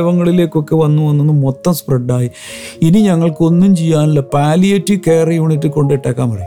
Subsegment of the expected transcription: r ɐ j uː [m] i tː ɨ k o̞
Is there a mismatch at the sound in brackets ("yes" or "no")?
yes